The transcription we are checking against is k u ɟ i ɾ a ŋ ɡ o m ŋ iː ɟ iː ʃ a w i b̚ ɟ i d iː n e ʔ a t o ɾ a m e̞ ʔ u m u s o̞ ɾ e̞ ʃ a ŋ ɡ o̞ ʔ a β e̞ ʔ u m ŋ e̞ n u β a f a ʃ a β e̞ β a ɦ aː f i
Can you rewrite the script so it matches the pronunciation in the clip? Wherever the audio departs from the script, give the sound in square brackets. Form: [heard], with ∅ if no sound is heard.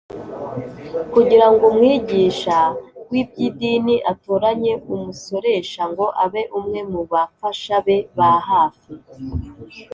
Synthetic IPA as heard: k u ɟ i ɾ a ŋ ɡ o m ŋ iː ɟ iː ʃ a w i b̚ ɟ i d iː n [i] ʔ a t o ɾ a [ɲ] e̞ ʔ u m u s o̞ ɾ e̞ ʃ a ŋ ɡ o̞ ʔ a β e̞ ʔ u m ŋ e̞ [m] u β a f a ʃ a β e̞ β a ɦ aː f i